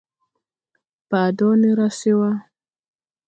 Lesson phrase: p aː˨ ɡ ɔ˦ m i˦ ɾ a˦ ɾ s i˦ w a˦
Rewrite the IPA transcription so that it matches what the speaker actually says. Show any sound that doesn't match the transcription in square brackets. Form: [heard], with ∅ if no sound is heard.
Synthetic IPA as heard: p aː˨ [d] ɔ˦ [n] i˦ ɾ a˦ [∅] s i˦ w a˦